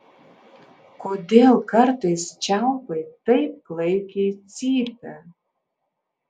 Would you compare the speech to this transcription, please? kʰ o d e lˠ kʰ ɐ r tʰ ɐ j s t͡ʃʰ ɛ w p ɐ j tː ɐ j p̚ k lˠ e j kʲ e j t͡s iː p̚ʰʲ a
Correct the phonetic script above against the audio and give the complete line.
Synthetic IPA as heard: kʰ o d e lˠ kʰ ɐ r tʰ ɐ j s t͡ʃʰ a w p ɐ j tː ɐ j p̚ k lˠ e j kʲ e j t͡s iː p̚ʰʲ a